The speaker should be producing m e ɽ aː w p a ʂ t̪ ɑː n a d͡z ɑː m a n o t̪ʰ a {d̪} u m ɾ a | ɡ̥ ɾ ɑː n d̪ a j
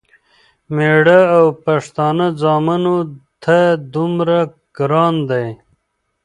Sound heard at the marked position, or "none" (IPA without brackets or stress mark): d̪